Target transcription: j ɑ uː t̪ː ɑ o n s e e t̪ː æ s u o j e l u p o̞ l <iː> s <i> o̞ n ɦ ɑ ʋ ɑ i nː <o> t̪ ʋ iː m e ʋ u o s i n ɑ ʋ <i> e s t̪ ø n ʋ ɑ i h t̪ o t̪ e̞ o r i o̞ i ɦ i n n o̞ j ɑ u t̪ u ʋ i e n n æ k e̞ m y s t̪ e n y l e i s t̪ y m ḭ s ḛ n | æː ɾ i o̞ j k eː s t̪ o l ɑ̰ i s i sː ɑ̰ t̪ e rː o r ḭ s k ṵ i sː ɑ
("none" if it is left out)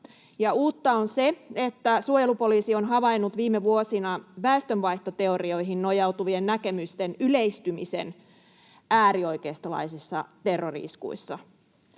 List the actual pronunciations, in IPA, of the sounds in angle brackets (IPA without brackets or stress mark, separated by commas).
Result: iː, i, u, æ